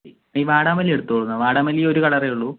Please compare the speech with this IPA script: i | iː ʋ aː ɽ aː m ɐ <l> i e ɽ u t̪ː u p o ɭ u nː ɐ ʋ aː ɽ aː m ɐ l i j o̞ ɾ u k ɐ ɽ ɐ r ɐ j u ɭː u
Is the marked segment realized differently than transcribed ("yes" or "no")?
no